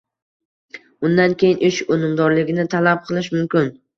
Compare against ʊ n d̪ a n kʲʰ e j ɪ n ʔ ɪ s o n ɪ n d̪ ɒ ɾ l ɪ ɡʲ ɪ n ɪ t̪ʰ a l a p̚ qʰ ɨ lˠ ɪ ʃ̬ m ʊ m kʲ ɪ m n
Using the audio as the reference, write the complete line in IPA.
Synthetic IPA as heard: ʊ n d̪ a n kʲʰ e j ɪ n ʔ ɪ ʃ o n ɪ m d̪ ɒ ɾ l ɪ ɡʲ ɪ n ɪ t̪ʰ a l a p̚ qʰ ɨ lˠ ɪ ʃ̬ m ʊ m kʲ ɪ n